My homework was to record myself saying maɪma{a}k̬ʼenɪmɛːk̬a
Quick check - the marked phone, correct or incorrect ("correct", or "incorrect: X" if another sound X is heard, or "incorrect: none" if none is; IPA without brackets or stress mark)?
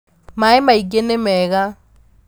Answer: incorrect: i